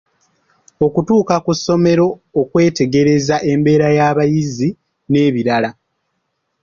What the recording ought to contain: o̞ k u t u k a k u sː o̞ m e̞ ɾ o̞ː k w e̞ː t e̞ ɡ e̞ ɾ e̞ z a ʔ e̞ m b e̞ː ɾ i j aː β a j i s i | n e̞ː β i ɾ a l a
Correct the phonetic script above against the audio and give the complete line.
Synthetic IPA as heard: o̞ k u t uː k a k u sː o̞ m e̞ ɾ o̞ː k w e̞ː t e̞ ɡ e̞ ɾ e̞ z a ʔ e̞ m b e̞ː ɾ a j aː β a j i z i | n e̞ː β i ɾ a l a